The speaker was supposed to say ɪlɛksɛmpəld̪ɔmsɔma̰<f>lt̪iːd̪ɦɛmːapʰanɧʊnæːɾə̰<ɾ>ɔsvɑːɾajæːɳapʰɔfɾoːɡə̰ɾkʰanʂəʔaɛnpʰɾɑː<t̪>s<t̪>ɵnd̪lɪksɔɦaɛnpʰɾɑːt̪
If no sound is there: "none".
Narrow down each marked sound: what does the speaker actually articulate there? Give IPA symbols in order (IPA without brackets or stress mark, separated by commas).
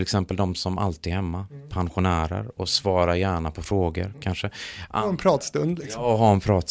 none, ɾ, t̪, t̪